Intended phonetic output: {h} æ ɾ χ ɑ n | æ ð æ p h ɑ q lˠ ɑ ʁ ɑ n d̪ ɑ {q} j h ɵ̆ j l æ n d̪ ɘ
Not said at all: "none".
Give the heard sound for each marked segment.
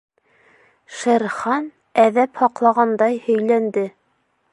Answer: ʃ, none

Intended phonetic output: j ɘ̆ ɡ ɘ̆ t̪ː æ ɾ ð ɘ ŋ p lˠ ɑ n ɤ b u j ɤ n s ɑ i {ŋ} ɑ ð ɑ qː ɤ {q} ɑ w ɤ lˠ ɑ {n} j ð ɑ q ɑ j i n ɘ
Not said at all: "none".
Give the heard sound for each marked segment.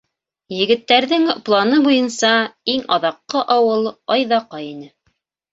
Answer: ŋ, ʔ, none

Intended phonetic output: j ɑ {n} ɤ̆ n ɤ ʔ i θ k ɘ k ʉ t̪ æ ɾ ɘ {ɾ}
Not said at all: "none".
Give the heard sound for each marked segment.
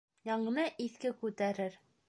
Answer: ɴ, ɾ

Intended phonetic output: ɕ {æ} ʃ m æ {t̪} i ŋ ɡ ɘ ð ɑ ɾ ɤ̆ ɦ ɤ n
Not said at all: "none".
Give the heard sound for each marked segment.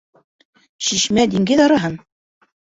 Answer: i, d̪

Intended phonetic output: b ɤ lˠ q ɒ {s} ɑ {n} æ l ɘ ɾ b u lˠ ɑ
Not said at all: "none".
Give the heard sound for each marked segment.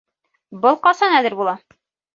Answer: s, n

